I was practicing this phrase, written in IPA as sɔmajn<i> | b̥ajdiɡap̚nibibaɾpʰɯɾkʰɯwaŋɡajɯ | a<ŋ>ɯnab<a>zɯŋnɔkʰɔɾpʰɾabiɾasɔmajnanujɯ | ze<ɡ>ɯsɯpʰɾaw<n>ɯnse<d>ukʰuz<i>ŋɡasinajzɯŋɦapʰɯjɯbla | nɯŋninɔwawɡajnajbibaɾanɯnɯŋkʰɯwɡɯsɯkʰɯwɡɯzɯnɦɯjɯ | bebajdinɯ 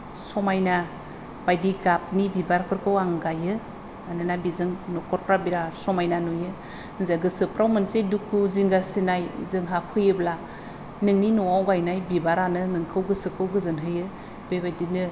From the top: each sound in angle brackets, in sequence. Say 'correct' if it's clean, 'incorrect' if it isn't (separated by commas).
incorrect, incorrect, incorrect, correct, incorrect, correct, correct